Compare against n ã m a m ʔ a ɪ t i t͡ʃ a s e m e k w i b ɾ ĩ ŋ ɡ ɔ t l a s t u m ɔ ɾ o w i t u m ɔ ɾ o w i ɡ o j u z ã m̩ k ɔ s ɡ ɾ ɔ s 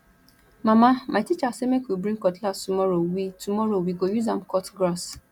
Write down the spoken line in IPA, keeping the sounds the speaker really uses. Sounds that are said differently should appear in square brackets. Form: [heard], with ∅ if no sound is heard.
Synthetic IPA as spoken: [m] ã m a m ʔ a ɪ t i t͡ʃ a s e m e k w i b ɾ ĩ ŋ [k] ɔ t l a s t u m ɔ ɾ o w i t u m ɔ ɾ o w i ɡ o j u z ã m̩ k ɔ [t] ɡ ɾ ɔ s